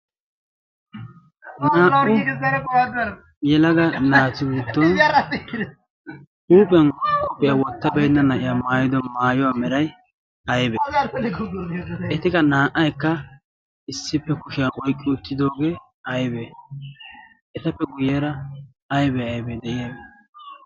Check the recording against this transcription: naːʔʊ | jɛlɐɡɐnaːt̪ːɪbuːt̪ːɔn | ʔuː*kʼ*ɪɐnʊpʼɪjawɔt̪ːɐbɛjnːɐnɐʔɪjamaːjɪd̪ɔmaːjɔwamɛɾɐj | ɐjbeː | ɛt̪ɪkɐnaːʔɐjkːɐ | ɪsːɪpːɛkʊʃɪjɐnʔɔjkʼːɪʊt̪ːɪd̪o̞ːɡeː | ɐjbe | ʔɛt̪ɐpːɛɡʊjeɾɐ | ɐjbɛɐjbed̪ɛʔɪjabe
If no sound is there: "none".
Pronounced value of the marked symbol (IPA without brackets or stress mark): pʼ